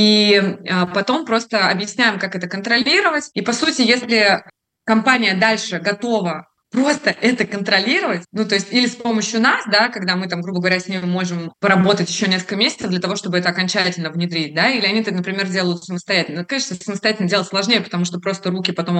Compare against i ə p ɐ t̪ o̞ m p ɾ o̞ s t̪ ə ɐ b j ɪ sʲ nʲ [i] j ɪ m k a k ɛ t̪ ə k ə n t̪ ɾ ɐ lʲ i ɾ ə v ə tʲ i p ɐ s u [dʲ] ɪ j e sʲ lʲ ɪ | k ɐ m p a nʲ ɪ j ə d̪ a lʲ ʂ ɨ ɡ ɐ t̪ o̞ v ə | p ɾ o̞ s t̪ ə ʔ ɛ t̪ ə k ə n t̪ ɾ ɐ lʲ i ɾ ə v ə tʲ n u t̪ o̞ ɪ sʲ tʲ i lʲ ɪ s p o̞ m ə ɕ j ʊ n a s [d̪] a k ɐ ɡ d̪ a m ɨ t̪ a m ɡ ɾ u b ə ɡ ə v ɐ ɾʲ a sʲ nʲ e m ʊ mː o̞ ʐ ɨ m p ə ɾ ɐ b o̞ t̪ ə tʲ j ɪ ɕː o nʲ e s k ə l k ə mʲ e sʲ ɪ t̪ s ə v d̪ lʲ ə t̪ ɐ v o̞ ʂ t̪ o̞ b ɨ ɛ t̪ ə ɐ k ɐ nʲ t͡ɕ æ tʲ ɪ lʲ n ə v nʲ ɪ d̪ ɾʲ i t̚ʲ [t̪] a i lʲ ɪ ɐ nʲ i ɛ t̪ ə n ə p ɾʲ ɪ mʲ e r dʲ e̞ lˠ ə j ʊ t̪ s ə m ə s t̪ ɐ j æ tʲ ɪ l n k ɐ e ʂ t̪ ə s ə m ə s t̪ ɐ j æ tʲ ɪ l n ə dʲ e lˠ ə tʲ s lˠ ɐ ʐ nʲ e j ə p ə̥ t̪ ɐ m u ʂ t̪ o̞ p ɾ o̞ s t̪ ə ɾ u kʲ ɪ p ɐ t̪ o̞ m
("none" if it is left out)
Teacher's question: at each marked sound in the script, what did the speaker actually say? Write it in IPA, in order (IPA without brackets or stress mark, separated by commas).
æ, tʲ, d̪, d̪